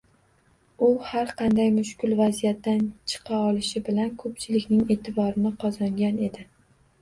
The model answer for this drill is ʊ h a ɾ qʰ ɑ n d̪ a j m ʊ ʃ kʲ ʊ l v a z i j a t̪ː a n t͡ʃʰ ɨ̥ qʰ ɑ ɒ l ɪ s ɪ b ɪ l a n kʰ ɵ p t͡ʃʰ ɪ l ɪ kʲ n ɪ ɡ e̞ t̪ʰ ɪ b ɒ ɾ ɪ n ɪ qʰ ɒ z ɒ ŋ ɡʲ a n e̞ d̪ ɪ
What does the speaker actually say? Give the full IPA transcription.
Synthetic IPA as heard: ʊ h a ɾ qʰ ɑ n d̪ a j m ʊ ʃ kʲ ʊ l v a z i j a t̪ː a n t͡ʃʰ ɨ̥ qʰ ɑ ɒ l ɪ ʃ ɪ b ɪ l a n kʰ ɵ p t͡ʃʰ ɪ l ɪ kʲ n ɪ ŋ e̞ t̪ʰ ɪ b ɒ ɾ ɪ n ɪ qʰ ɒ z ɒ ŋ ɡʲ a n e̞ d̪ ɪ